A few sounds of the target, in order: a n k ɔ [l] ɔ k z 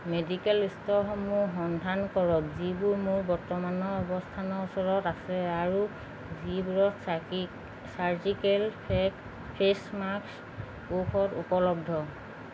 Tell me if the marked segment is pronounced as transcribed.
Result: no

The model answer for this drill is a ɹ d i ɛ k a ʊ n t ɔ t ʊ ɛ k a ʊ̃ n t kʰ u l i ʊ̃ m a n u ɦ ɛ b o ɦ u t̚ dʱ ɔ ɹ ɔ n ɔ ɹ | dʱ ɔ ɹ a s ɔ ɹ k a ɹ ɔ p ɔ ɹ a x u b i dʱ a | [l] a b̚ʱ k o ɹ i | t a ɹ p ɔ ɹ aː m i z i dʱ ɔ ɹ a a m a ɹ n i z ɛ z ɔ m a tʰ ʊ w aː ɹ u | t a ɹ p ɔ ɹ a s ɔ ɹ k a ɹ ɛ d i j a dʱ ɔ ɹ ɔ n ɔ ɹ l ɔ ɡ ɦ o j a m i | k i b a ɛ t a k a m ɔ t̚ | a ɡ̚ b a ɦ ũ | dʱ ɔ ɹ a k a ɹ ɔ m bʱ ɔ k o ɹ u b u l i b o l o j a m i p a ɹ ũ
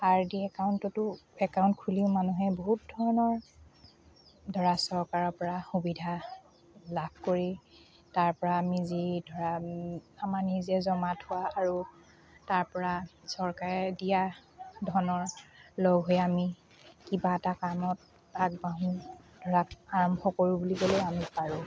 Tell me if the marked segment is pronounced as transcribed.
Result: yes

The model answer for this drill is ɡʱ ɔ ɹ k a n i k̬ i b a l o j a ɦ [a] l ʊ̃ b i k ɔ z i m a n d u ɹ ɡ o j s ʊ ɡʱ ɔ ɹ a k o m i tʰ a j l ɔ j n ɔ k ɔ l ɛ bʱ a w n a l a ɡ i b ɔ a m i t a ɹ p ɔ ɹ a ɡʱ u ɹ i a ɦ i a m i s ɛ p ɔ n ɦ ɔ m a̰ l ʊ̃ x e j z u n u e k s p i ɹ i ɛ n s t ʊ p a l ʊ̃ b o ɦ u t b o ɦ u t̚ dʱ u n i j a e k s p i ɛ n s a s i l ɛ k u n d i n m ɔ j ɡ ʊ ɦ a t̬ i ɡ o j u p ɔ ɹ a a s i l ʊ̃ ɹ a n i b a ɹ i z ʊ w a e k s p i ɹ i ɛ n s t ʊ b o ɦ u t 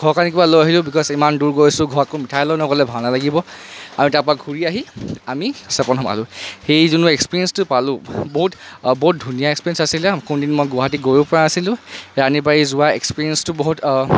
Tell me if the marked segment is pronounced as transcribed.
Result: no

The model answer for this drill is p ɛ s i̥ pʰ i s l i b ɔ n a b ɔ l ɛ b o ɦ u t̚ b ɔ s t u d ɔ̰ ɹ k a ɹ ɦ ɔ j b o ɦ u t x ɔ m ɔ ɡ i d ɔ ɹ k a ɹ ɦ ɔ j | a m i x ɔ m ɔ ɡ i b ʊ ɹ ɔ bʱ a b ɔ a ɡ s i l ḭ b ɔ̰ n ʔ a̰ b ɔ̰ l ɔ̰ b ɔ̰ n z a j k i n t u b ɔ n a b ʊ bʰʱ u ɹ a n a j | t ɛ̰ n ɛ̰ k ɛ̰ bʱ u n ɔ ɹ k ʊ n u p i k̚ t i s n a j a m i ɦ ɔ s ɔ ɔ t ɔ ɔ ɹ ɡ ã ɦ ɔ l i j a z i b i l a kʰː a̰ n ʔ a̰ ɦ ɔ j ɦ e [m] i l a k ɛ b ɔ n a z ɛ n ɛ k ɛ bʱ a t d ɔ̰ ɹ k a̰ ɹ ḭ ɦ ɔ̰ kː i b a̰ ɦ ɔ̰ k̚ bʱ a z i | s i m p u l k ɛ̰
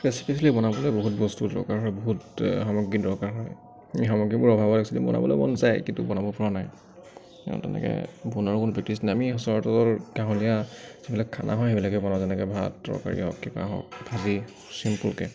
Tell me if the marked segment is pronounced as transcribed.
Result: no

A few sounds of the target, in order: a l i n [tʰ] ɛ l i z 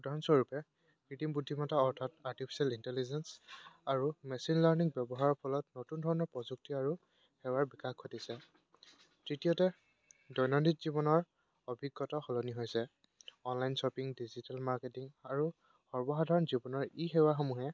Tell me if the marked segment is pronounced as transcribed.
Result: no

